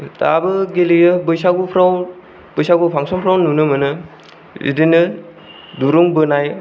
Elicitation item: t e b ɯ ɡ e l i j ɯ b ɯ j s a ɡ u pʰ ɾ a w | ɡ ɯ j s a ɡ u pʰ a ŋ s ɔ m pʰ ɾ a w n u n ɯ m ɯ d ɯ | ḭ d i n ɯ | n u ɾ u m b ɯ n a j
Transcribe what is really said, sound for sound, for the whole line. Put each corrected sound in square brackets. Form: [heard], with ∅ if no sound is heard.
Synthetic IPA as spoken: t [a] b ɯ ɡ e l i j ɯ b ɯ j s a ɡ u pʰ ɾ a w | [b] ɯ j s a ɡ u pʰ a ŋ s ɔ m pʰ ɾ a w n u n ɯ m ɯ [n] ɯ | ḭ d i n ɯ | [d] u ɾ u [ŋ] b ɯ n a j